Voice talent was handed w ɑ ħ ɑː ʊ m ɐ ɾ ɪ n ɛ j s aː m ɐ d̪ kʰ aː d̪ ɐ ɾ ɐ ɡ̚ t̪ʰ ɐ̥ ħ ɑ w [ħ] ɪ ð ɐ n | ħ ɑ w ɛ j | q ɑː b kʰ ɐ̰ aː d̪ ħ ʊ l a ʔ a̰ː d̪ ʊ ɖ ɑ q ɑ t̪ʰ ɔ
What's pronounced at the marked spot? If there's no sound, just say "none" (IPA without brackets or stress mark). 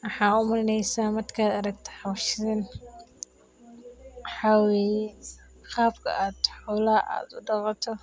ʃ